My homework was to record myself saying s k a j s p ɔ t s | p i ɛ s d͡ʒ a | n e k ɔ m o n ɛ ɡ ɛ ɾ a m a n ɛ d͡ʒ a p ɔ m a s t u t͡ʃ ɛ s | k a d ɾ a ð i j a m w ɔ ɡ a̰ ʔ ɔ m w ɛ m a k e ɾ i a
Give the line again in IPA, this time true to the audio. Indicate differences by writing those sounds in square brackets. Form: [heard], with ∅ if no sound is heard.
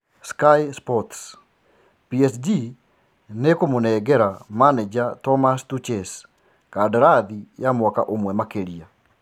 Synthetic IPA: s k a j s p ɔ t s | p i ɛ s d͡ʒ [i] | n e k [o] m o n ɛ ɡ ɛ ɾ a m a n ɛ d͡ʒ a [t] ɔ m a s t u t͡ʃ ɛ s | k a d ɾ a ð i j a m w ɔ [k] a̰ ʔ [o] m w ɛ m a k e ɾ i a